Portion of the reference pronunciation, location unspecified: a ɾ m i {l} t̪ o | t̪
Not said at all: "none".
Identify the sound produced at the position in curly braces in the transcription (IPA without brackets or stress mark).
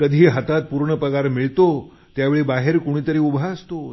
ɭ